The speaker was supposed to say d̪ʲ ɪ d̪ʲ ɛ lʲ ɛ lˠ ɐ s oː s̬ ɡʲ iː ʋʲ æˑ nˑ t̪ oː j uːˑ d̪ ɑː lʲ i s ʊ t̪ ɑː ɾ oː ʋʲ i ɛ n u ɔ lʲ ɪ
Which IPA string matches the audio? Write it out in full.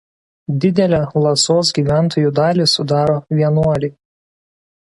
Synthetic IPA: d̪ʲ ɪ d̪ʲ ɛ lʲ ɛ lˠ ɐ s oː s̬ ɡʲ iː ʋʲ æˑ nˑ t̪ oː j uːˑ d̪ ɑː lʲ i s ʊ d̪ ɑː ɾ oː ʋʲ i ɛ n u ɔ lʲ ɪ